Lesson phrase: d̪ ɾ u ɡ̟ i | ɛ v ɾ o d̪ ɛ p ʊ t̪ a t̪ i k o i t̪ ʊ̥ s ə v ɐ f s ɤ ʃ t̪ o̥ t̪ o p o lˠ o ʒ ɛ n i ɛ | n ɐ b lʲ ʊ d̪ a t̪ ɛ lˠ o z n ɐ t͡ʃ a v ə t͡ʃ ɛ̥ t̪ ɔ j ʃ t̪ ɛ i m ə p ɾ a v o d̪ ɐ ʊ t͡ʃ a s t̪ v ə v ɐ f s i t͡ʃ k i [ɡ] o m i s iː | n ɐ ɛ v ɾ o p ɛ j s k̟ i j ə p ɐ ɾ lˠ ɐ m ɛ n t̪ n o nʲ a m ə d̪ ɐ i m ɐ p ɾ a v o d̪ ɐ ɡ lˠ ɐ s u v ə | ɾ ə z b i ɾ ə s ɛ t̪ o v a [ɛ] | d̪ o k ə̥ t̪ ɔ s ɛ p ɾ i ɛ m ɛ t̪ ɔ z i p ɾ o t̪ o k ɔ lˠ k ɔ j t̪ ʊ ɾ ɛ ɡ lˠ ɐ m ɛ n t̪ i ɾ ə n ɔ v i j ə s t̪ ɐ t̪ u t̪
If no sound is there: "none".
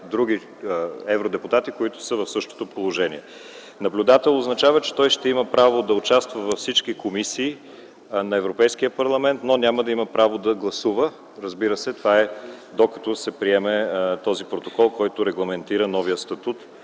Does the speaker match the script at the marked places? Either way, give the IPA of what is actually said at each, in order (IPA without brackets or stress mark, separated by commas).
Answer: k, ɛ